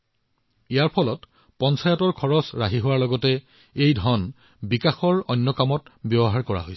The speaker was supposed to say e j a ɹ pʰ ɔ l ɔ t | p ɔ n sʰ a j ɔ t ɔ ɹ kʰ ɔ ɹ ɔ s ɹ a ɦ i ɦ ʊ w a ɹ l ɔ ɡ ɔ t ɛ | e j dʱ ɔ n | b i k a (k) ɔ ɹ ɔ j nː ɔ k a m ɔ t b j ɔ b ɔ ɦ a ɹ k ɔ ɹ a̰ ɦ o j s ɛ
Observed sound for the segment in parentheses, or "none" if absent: x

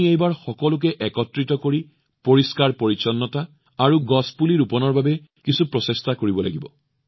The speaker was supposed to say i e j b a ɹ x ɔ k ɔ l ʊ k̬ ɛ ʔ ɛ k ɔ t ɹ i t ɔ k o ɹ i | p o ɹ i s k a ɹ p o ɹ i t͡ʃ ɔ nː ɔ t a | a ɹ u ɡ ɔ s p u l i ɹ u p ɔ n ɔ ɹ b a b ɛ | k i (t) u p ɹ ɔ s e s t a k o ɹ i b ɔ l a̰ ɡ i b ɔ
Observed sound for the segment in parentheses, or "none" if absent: s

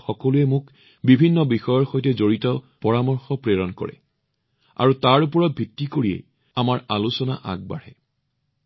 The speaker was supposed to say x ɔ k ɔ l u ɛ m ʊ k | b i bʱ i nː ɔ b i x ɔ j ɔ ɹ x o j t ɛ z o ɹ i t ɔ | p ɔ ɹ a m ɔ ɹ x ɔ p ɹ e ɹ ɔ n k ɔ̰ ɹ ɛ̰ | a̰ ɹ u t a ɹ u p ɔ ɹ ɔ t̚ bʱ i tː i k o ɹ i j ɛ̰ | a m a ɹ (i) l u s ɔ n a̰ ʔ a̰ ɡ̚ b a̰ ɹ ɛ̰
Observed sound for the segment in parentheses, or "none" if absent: a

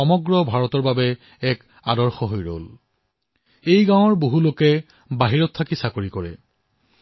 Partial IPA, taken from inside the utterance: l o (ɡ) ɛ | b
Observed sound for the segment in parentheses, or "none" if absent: k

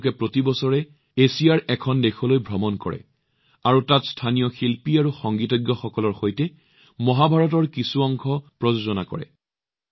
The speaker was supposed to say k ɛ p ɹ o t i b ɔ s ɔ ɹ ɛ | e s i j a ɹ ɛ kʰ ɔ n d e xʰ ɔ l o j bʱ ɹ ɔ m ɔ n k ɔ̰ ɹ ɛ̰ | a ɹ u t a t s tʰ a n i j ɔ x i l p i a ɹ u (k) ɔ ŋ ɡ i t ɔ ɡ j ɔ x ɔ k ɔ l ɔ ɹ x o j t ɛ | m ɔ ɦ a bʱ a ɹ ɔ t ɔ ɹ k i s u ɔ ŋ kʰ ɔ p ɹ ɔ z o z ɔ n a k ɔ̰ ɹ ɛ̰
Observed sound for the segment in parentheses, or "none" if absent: x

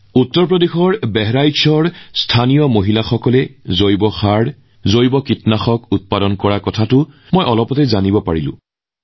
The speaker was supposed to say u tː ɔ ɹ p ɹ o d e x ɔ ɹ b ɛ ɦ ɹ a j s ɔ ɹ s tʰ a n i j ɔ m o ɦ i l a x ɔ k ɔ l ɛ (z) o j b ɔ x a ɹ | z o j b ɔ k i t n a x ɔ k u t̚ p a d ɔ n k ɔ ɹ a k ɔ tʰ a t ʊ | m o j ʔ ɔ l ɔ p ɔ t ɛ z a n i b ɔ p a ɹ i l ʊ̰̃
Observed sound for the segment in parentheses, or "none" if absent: z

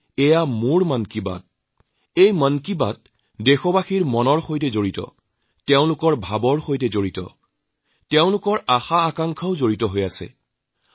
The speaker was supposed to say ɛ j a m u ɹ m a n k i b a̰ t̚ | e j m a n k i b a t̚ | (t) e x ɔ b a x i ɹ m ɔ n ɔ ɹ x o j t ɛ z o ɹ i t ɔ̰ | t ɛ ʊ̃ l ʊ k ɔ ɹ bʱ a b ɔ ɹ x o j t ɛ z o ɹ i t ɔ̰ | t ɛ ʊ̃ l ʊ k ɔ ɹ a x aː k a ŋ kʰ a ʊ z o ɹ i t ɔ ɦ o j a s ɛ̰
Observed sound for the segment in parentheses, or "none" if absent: d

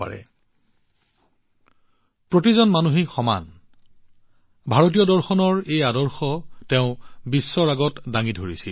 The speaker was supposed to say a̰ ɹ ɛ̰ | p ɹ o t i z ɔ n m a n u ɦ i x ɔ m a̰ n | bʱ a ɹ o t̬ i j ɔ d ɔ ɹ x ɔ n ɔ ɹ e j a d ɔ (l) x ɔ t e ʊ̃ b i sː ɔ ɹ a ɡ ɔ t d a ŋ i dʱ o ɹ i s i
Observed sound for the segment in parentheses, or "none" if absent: ɹ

